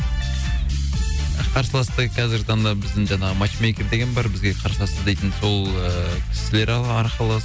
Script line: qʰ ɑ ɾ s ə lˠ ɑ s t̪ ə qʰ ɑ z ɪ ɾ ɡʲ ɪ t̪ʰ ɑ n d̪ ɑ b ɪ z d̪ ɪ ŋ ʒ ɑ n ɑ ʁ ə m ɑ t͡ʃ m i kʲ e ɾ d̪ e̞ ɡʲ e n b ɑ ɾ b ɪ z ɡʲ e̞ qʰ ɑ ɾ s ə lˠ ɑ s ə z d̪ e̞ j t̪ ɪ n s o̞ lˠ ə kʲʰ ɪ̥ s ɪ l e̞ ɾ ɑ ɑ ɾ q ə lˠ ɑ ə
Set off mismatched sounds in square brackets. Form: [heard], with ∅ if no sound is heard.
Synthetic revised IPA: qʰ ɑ ɾ s ə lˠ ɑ s t̪ ə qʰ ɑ z ɪ ɾ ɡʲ ɪ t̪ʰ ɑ n d̪ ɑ b ɪ z d̪ ɪ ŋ ʒ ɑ n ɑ ʁ ə m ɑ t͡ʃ m [e] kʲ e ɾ d̪ e̞ ɡʲ e n b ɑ ɾ b ɪ z ɡʲ e̞ qʰ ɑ ɾ s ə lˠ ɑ s ə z d̪ e̞ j t̪ ɪ n s o̞ lˠ ə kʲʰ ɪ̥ s ɪ l e̞ ɾ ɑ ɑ ɾ q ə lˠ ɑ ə